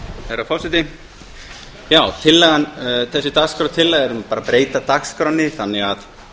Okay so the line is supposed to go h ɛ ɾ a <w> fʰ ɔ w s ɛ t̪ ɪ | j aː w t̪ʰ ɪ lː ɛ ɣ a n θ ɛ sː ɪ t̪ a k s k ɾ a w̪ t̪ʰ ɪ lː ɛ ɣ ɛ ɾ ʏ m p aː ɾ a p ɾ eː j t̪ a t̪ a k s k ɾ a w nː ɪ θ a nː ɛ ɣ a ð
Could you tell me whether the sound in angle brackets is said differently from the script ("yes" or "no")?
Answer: yes